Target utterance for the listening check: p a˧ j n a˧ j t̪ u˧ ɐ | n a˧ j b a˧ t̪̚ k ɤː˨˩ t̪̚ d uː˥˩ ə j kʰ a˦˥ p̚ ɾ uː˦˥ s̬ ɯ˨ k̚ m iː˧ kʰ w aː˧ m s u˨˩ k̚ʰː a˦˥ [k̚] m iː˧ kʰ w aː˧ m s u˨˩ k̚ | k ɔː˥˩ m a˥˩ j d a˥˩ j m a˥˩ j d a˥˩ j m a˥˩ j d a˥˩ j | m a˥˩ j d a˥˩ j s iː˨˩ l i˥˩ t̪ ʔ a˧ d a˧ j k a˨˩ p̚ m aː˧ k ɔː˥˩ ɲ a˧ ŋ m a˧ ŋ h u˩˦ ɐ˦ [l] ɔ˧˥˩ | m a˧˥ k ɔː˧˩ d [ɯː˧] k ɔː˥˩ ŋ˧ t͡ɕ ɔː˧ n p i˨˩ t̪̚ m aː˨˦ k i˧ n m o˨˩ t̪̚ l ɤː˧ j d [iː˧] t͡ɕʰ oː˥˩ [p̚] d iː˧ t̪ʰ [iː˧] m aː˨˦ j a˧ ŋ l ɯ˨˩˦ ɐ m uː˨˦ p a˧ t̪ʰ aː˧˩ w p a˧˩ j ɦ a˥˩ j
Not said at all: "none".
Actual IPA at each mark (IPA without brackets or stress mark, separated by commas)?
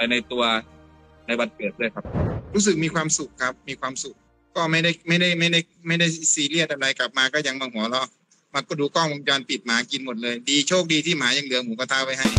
p̚, l, uː˧, iː˧, k̚, iː˥˩